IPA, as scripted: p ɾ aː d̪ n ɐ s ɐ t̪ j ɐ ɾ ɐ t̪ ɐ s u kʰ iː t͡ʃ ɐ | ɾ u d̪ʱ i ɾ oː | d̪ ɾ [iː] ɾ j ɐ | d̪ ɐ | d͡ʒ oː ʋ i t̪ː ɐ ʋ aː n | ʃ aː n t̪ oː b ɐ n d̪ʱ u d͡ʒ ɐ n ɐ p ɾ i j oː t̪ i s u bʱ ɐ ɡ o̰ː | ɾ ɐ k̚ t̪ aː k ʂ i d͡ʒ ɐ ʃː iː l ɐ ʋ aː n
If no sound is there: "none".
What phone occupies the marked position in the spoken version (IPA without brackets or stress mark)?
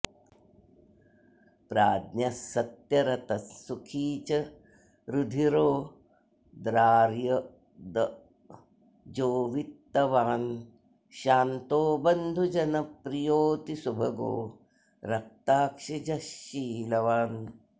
aː